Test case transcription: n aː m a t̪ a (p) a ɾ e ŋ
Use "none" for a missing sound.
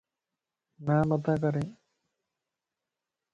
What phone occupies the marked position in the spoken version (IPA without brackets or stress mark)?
k